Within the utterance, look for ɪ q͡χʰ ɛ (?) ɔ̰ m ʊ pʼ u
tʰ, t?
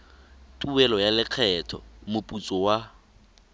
tʰ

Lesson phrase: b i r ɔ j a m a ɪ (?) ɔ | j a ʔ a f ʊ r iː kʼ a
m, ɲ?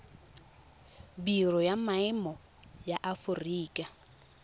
m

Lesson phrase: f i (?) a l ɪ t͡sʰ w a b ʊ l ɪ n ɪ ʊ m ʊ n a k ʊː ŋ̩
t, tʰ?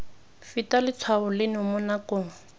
t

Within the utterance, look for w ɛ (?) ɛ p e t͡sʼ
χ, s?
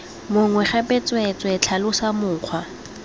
χ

